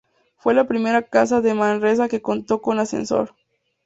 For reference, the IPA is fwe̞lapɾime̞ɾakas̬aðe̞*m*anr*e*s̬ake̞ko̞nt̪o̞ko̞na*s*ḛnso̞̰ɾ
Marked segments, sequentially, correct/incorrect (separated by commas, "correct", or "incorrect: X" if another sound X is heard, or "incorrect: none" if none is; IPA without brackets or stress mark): correct, correct, correct